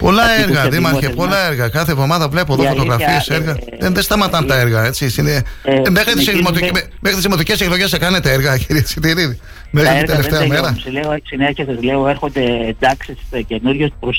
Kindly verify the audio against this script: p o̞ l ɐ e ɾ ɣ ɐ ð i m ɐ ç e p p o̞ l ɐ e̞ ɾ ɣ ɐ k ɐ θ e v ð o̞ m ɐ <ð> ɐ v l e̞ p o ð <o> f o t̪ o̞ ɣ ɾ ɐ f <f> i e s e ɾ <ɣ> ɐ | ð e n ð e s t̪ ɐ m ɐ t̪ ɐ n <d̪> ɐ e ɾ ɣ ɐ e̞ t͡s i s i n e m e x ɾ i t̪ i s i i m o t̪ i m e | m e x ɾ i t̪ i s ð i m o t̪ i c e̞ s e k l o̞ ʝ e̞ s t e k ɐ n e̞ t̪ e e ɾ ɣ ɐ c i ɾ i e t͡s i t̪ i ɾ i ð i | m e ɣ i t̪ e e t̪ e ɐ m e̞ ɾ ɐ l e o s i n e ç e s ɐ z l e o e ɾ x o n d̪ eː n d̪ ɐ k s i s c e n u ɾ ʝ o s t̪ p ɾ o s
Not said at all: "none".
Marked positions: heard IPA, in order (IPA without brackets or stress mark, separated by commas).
ð, o, f, ɣ, t̪